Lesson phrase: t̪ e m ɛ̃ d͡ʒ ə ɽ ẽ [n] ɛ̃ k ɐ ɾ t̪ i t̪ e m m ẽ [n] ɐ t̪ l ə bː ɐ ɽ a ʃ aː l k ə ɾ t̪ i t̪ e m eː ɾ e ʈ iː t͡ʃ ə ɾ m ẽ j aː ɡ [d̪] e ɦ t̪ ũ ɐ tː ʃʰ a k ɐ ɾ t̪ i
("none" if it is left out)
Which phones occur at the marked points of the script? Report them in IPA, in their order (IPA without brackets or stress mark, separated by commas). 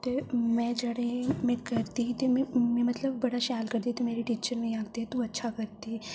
m, m, t̪